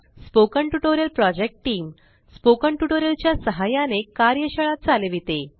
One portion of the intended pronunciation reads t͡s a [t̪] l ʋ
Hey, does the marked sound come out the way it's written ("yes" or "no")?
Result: no